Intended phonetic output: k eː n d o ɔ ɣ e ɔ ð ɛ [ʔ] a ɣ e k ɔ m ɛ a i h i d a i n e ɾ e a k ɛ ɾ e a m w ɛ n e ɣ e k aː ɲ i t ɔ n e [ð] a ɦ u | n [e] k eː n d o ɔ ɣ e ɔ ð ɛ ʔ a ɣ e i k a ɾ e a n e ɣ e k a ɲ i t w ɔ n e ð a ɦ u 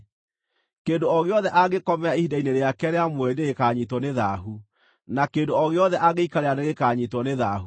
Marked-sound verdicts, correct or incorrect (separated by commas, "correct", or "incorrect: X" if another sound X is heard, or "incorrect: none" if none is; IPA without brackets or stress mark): correct, correct, incorrect: a